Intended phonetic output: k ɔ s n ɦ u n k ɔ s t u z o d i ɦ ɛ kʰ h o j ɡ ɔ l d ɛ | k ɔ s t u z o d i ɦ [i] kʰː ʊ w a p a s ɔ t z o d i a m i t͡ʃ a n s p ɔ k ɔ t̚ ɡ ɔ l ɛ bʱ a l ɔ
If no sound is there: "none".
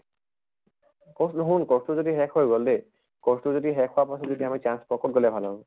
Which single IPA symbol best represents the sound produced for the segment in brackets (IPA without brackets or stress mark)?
ɛ